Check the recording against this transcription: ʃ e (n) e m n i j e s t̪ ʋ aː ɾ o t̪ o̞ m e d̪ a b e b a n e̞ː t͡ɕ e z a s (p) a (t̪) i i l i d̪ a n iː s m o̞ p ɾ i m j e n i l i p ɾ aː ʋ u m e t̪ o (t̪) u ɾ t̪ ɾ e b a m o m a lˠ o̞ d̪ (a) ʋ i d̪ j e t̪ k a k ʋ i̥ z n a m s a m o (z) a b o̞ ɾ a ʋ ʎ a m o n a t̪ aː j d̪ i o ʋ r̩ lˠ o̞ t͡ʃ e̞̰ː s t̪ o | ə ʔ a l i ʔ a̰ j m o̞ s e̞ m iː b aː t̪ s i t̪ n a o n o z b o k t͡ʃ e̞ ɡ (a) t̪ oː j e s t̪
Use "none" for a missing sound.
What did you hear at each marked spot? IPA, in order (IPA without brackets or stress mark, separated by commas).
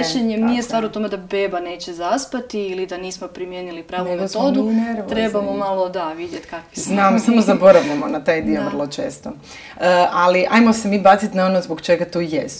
ɲ, p, t̪, d̪, a, z, a